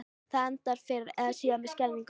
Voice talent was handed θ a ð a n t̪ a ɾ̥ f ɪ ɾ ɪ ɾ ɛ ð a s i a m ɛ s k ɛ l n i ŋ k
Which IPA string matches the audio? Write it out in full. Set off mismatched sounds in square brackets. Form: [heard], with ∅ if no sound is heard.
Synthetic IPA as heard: θ a ð [ɛ] n t̪ a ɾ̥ f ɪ ɾ ɪ ɾ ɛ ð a s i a m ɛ s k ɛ l n i ŋ k